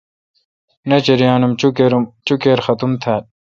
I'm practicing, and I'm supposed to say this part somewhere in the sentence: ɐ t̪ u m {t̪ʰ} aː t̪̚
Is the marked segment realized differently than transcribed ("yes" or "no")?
no